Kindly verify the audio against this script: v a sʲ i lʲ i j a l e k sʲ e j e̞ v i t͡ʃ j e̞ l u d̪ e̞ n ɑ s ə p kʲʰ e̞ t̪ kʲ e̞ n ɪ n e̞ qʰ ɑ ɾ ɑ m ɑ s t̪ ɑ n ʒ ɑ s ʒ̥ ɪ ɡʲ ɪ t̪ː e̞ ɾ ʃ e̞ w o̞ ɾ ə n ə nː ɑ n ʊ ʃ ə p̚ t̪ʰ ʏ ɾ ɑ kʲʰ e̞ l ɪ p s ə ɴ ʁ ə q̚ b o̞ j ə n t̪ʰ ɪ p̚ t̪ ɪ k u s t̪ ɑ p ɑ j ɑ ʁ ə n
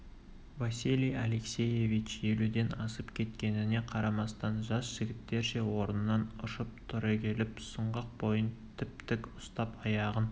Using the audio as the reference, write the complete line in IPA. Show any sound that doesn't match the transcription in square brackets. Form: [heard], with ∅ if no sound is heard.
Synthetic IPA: v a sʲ i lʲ i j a l e k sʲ e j e̞ v i t͡ʃ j e̞ l u d̪ e̞ n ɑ s ə p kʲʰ e̞ t̪ kʲ e̞ n ɪ n e̞ qʰ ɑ ɾ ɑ m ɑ s t̪ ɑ n ʒ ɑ s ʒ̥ ɪ ɡʲ ɪ t̪ː e̞ ɾ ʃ e̞ w o̞ ɾ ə n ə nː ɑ n ʊ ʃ ə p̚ t̪ʰ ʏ ɾ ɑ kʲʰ e̞ l ɪ p s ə ɴ ʁ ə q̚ b o̞ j ə n t̪ʰ ɪ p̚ t̪ ɪ k [ʊ] s t̪ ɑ p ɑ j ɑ ʁ ə n

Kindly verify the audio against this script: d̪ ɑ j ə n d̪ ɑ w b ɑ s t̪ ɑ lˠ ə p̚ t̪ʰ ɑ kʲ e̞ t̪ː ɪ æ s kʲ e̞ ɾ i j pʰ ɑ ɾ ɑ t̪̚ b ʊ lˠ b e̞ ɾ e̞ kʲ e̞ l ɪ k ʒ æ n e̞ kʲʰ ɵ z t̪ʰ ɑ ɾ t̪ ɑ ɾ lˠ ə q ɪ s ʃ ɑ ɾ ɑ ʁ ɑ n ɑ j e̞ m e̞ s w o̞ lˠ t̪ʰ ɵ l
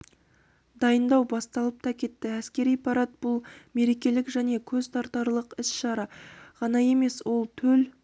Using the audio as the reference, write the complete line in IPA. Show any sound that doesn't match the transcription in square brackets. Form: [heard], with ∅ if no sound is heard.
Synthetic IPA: d̪ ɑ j ə n d̪ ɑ w b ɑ s t̪ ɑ lˠ ə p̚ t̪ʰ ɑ kʲ e̞ t̪ː ɪ æ s kʲ e̞ ɾ i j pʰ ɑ ɾ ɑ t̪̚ b ʊ lˠ [m] e̞ ɾ e̞ kʲ e̞ l ɪ k ʒ æ n e̞ kʲʰ ɵ z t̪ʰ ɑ ɾ t̪ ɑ ɾ lˠ ə q ɪ s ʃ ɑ ɾ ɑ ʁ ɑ n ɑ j e̞ m e̞ s w o̞ lˠ t̪ʰ ɵ l

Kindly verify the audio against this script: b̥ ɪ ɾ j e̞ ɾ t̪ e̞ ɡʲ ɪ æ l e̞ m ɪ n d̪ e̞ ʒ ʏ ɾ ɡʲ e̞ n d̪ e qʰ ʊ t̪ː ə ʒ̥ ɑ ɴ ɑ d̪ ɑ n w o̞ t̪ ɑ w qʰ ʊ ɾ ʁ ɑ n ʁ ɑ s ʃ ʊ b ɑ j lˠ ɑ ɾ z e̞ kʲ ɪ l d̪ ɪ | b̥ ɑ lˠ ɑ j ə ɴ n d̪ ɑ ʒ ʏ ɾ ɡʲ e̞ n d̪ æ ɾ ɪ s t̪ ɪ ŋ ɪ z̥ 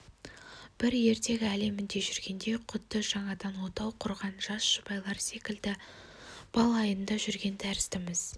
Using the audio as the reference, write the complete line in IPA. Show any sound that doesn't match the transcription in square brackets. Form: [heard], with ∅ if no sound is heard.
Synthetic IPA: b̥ ɪ ɾ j e̞ ɾ t̪ e̞ ɡʲ ɪ æ l e̞ m ɪ n d̪ e̞ ʒ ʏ ɾ ɡʲ e̞ n d̪ e qʰ ʊ t̪ː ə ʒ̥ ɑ ɴ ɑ d̪ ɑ n w o̞ t̪ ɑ w qʰ ʊ ɾ ʁ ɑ n [ʒ] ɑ s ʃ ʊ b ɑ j lˠ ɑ ɾ [s] e̞ kʲ ɪ l d̪ ɪ | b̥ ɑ lˠ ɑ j ə [∅] n d̪ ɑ ʒ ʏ ɾ ɡʲ e̞ n d̪ æ ɾ ɪ s t̪ ɪ [m] ɪ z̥

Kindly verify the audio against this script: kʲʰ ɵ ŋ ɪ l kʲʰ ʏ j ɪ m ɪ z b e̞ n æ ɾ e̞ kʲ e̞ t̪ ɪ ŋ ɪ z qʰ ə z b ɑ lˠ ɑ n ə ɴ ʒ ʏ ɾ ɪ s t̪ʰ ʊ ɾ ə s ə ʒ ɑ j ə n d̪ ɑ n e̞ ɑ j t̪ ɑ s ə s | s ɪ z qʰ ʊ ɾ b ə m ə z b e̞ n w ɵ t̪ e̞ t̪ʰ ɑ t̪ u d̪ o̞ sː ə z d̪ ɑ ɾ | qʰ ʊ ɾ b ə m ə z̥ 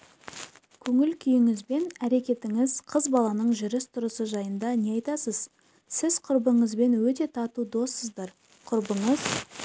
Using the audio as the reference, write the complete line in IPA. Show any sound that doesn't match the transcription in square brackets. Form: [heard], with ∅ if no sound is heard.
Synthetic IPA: kʲʰ ɵ ŋ ɪ l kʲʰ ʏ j ɪ [ŋ] ɪ z b e̞ n æ ɾ e̞ kʲ e̞ t̪ ɪ ŋ ɪ z qʰ ə z b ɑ lˠ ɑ n ə ɴ ʒ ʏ ɾ ɪ s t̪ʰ ʊ ɾ ə s ə ʒ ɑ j ə n d̪ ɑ n e̞ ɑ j t̪ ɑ s ə [z] | s ɪ z qʰ ʊ ɾ b ə [ɴ] ə z b e̞ n w ɵ t̪ e̞ t̪ʰ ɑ t̪ u d̪ o̞ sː ə z d̪ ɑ ɾ | qʰ ʊ ɾ b ə [ɴ] ə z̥

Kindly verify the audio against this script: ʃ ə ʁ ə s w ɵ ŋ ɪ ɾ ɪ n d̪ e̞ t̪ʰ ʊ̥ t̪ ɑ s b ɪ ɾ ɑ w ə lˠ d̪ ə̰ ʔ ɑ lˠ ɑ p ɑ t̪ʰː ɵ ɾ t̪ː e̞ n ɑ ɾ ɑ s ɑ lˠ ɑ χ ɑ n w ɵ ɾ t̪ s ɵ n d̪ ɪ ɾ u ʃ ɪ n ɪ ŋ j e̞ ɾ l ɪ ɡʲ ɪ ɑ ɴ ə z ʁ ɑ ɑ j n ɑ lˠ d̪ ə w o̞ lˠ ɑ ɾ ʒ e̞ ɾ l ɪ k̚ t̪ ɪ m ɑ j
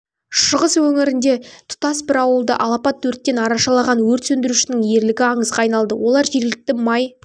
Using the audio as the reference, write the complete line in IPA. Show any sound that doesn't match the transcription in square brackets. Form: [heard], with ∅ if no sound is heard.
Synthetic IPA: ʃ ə ʁ ə s w ɵ ŋ ɪ ɾ ɪ n d̪ e̞ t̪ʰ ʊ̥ t̪ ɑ s b ɪ ɾ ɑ w ə lˠ d̪ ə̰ ʔ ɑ lˠ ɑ p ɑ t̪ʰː ɵ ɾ t̪ː e̞ n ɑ ɾ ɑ [ʃ] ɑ lˠ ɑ [ʁ] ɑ n w ɵ ɾ t̪ s ɵ n d̪ ɪ ɾ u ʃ ɪ n ɪ ŋ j e̞ ɾ l ɪ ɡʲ ɪ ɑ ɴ ə z ʁ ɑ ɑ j n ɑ lˠ d̪ ə w o̞ lˠ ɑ ɾ ʒ e̞ ɾ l ɪ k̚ t̪ ɪ m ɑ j

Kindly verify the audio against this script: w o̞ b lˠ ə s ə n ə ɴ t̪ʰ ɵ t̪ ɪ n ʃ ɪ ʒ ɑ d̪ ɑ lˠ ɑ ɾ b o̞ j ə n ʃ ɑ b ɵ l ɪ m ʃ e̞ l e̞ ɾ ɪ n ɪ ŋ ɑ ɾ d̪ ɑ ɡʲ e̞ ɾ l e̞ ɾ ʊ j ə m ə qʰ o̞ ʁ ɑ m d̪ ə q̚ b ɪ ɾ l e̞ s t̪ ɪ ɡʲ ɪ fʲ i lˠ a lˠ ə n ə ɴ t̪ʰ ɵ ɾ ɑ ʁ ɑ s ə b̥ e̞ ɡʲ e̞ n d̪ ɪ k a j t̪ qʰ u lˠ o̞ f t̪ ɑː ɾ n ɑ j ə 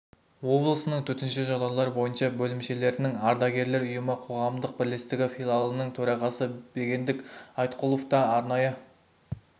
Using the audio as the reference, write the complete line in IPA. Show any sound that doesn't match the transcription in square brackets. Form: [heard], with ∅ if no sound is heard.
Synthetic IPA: w o̞ b lˠ ə s ə n ə ɴ t̪ʰ ɵ t̪ ɪ n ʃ ɪ ʒ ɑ d̪ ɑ lˠ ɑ ɾ b o̞ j ə n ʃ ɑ b ɵ l ɪ m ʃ e̞ l e̞ ɾ ɪ n ɪ ŋ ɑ ɾ d̪ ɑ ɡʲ e̞ ɾ l e̞ ɾ ʊ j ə m ə qʰ o̞ ʁ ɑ m d̪ ə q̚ b ɪ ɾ l e̞ s t̪ ɪ ɡʲ ɪ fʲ i lˠ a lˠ ə n ə ɴ t̪ʰ ɵ ɾ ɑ ʁ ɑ s ə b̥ e̞ ɡʲ e̞ n d̪ ɪ k [ɑ] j t̪ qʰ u lˠ o̞ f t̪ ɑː ɾ n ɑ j ə

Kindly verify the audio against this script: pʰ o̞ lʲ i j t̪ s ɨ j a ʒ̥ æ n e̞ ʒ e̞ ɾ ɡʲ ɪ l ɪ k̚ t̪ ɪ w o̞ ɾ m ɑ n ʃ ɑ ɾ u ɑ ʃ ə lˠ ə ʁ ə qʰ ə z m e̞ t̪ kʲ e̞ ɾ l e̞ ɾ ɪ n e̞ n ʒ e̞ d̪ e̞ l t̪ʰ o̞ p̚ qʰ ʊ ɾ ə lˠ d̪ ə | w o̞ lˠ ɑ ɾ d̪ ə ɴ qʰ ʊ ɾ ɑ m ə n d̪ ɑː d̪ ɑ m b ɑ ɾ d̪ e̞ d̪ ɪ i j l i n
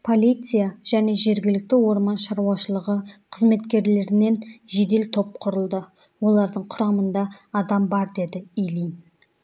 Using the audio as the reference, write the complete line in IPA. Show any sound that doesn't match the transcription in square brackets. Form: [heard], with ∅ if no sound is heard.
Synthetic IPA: pʰ o̞ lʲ i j t̪ s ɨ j a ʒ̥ æ n e̞ ʒ e̞ ɾ ɡʲ ɪ l ɪ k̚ t̪ ɪ w o̞ ɾ m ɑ n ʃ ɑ ɾ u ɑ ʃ ə lˠ ə ʁ ə qʰ ə z m e̞ t̪ kʲ e̞ ɾ l e̞ ɾ ɪ n e̞ n ʒ e̞ d̪ e̞ l t̪ʰ o̞ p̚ qʰ ʊ ɾ ə lˠ d̪ ə | w o̞ lˠ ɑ ɾ d̪ ə ɴ qʰ ʊ ɾ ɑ m ə n d̪ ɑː d̪ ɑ m b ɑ ɾ d̪ e̞ d̪ ɪ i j l i n

